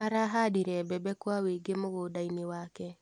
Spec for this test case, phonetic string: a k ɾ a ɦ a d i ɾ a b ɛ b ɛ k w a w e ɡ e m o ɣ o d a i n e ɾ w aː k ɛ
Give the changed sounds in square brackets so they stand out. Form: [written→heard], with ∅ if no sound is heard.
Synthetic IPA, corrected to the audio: a [k→∅] ɾ a ɦ a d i ɾ [a→ɛ] b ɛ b ɛ k w a w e ɡ e m o ɣ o d a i n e [ɾ→∅] w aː k ɛ